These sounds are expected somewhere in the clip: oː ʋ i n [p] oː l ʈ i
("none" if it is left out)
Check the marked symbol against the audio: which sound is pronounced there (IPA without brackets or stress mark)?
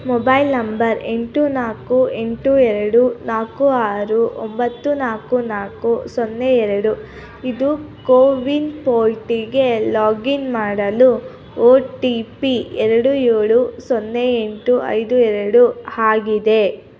p